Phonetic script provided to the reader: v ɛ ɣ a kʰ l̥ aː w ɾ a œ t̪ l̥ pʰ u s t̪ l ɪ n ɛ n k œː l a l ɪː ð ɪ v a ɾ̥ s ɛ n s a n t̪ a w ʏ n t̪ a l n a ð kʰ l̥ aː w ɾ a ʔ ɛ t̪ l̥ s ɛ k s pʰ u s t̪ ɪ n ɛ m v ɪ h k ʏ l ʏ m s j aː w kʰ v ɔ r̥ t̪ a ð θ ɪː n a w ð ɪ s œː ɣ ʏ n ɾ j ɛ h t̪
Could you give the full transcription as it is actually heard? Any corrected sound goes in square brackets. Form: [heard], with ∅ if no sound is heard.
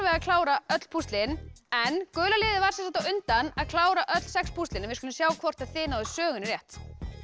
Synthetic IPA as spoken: v ɛ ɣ a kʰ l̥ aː w ɾ a œ t̪ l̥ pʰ u s t̪ l ɪ n ɛ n k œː l a l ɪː ð ɪ v a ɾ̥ s ɛ n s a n t̪ a w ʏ n t̪ a [∅] n a ð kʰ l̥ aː w ɾ a ʔ [œ] t̪ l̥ s ɛ k s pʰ u s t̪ ɪ n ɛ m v ɪ [s] k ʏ l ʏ m s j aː w kʰ v ɔ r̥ t̪ a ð θ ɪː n a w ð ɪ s œː ɣ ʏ n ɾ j ɛ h t̪